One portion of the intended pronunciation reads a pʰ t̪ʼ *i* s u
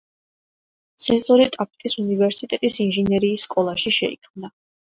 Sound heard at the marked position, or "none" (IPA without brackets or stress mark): i